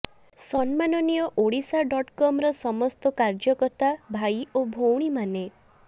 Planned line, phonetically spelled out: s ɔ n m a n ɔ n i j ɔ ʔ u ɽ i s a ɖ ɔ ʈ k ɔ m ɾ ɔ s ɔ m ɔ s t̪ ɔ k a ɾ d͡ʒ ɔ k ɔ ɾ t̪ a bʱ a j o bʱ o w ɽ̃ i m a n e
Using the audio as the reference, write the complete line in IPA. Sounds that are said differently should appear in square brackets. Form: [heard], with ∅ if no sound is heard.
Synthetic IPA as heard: s ɔ n m a n ɔ n i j ɔ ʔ [o] ɽ i s a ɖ ɔ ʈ k ɔ m ɾ ɔ s ɔ m ɔ s t̪ ɔ k a ɾ d͡ʒ ɔ k ɔ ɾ t̪ a bʱ a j o bʱ o w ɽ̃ i m a n e